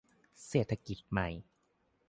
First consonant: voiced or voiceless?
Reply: voiceless